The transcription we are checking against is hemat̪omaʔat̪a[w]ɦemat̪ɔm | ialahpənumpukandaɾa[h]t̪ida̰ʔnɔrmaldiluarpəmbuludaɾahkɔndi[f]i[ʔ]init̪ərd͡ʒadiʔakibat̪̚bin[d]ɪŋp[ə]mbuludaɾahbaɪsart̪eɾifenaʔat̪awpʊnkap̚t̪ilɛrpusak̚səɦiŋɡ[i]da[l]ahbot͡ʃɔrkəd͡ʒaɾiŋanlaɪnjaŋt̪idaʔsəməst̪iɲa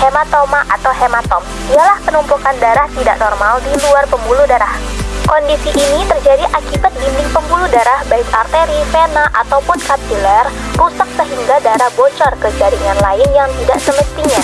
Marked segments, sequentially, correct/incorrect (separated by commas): correct, correct, incorrect, correct, correct, correct, incorrect, incorrect